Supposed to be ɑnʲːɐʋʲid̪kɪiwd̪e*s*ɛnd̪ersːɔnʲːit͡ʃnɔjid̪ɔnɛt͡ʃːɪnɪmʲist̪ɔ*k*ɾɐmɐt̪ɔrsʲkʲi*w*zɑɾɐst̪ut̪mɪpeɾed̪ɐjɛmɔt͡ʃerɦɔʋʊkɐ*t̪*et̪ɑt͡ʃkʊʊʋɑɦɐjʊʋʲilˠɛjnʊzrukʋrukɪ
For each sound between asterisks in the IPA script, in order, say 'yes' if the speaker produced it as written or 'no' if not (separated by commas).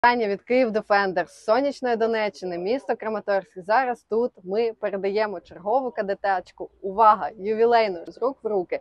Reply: no, yes, no, no